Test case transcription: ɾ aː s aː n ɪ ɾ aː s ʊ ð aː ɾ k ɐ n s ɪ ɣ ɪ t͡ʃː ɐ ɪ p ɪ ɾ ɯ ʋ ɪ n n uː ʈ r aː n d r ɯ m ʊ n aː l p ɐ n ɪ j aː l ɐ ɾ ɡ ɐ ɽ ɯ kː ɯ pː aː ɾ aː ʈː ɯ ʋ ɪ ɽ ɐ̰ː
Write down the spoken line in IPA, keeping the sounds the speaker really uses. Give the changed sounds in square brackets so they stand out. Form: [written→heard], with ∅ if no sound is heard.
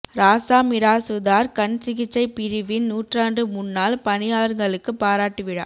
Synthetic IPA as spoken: ɾ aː s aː [n→m] ɪ ɾ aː s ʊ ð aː ɾ k ɐ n s ɪ ɣ ɪ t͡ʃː ɐ ɪ p ɪ ɾ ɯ ʋ ɪ n n uː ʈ r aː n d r ɯ m ʊ [n→nː] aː l p ɐ n ɪ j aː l ɐ ɾ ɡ ɐ [ɽ→ɭ] ɯ kː ɯ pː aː ɾ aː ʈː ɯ ʋ ɪ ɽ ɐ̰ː